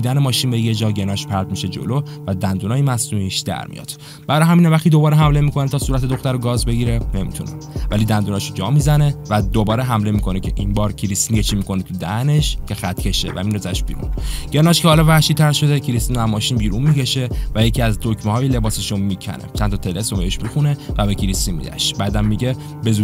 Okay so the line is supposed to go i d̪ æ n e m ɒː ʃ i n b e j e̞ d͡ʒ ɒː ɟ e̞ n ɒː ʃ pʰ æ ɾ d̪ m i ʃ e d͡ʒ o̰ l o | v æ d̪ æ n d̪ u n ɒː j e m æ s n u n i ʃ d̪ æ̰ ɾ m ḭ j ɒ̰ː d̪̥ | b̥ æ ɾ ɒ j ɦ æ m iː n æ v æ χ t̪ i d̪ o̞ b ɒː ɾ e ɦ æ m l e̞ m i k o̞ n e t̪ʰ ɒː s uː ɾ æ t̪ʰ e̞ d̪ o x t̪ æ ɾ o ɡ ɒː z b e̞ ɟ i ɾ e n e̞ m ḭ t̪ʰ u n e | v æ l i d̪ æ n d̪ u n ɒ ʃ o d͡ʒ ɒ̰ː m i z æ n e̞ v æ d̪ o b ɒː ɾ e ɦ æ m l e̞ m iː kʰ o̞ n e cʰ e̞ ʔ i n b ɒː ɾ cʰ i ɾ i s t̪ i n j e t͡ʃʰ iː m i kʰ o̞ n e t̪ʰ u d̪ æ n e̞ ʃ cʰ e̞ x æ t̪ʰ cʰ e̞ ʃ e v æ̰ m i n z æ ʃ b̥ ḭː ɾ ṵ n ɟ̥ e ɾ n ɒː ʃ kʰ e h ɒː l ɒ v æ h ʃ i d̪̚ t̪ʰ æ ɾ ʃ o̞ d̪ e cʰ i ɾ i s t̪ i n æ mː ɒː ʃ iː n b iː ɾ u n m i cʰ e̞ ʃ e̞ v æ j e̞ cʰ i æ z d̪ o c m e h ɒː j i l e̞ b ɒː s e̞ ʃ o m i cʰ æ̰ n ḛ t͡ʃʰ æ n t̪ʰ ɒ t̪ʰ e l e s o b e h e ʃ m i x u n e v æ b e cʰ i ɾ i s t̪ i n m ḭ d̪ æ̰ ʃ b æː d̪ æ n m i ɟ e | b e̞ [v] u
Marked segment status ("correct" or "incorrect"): incorrect